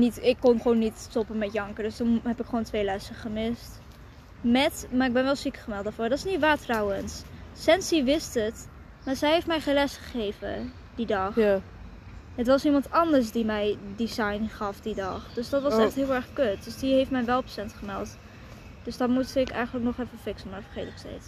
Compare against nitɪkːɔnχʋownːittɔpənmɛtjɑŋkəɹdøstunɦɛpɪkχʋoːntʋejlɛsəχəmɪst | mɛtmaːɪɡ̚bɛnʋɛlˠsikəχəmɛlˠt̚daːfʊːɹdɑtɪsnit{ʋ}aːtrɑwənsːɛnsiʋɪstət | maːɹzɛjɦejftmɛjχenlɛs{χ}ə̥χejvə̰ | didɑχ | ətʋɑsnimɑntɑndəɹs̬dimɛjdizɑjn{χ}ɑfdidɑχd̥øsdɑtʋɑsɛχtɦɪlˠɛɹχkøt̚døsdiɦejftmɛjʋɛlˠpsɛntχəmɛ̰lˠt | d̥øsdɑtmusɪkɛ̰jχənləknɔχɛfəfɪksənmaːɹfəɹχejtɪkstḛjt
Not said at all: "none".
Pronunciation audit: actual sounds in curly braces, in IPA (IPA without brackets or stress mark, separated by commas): ʋ, χ, χ